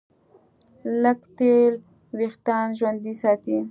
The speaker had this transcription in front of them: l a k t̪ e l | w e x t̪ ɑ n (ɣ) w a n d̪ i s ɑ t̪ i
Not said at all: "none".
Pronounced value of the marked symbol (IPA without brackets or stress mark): ʒ